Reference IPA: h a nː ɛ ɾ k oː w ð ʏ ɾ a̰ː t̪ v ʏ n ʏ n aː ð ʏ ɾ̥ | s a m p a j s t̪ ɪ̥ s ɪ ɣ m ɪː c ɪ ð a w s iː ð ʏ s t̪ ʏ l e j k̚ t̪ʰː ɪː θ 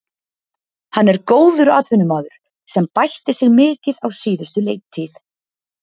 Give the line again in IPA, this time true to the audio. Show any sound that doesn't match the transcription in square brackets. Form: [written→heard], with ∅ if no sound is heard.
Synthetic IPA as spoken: h a nː ɛ ɾ k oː w ð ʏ ɾ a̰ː t̪ v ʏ n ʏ [n→m] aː ð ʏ ɾ̥ | s [a→ɛ] m p a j [s→h] t̪ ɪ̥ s ɪ ɣ m ɪː c ɪ ð a w s iː ð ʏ s t̪ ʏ l e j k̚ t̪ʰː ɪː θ